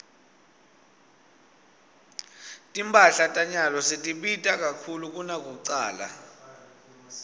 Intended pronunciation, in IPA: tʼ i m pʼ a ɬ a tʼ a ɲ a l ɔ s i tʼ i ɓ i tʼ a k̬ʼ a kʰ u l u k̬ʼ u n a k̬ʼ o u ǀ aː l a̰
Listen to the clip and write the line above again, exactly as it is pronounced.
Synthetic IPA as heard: tʼ i m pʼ a ɬ a tʼ a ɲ a l ɔ s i tʼ i ɓ i tʼ a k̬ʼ a kʰ u l u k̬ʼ u n a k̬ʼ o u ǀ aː l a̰